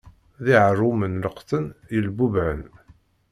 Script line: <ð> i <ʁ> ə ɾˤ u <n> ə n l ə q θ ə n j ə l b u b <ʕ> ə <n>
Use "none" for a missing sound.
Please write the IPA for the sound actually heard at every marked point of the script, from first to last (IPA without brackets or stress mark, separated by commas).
ð, ʕ, m, ʕ, n